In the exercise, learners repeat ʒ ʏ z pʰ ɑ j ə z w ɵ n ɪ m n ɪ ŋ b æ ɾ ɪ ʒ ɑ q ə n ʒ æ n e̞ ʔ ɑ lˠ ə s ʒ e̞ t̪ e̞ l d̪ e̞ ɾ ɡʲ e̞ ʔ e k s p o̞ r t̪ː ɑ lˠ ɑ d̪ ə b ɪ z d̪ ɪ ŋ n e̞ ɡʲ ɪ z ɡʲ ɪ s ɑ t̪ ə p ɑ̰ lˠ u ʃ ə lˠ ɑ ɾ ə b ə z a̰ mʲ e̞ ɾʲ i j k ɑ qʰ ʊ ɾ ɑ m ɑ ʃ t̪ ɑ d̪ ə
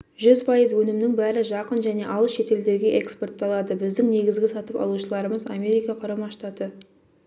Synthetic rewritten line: ʒ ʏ z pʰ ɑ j ə z w ɵ n ɪ m n ɪ ŋ b æ ɾ ɪ ʒ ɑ q ə n ʒ æ n e̞ ʔ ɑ lˠ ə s ʃ e̞ t̪ e̞ l d̪ e̞ ɾ ɡʲ e̞ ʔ e k s p o̞ r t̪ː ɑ lˠ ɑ d̪ ə b ɪ z d̪ ɪ ŋ n e̞ ɡʲ ɪ z ɡʲ ɪ s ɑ t̪ ə p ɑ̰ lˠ u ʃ ə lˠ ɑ ɾ ə m ə z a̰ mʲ e̞ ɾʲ i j k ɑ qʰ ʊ ɾ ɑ m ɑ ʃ t̪ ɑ t̪ ə